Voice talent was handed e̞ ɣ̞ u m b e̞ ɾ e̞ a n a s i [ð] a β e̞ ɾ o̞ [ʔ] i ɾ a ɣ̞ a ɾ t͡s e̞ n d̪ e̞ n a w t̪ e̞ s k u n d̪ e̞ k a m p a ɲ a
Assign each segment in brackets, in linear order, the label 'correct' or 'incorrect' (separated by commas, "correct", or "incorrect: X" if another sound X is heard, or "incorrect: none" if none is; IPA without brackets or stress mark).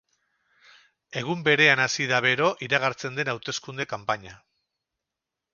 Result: correct, correct